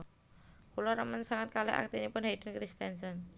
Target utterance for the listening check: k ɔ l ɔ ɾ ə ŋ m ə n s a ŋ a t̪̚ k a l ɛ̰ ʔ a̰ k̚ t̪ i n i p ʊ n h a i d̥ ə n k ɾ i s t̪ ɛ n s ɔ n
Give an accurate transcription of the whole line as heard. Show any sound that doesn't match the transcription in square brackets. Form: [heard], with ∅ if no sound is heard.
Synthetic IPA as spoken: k [u] l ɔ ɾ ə [∅] m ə n s a ŋ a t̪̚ k a l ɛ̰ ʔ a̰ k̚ t̪ i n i p ʊ n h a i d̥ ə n k ɾ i s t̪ ɛ n s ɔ n